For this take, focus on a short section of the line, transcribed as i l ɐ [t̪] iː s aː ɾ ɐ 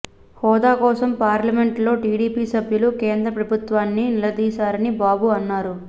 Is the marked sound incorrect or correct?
incorrect